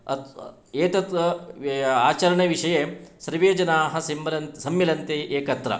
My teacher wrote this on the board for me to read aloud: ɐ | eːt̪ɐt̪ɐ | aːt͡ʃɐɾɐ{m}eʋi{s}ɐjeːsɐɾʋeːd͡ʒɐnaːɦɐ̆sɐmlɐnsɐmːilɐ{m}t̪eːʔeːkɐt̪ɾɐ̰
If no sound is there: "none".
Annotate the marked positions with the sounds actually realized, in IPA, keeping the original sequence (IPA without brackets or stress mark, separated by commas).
ɳ, ʂ, n